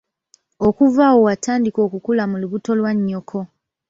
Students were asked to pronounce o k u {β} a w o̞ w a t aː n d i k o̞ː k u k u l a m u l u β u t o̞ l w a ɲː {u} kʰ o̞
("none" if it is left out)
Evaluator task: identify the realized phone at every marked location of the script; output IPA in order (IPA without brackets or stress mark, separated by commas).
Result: v, o